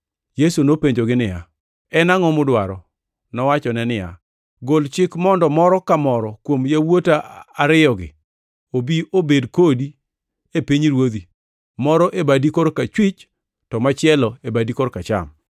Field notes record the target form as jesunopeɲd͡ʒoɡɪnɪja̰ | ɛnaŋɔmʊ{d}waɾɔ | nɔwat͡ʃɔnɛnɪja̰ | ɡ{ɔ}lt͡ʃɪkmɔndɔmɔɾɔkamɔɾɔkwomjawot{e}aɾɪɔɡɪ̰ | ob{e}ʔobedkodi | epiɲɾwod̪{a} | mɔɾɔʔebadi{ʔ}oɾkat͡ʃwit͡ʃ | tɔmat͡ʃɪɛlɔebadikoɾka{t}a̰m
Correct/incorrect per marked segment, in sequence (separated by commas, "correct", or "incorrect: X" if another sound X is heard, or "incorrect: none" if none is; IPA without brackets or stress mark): correct, incorrect: o, incorrect: a, incorrect: i, incorrect: i, incorrect: k, incorrect: t͡ʃ